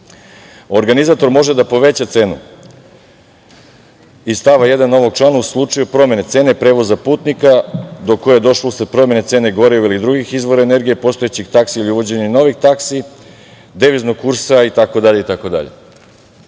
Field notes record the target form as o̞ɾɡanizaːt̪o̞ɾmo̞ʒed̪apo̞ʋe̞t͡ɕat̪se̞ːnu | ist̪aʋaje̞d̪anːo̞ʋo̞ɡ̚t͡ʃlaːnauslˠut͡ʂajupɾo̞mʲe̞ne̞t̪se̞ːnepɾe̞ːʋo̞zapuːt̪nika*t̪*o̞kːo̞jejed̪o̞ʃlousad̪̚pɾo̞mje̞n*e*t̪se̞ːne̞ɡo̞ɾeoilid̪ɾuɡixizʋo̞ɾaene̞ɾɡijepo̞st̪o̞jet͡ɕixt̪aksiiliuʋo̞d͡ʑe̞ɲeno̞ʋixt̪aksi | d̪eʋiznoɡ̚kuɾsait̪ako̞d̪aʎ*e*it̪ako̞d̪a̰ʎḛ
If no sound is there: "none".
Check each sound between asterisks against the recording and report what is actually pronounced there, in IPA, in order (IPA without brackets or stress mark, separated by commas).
d̪, e, e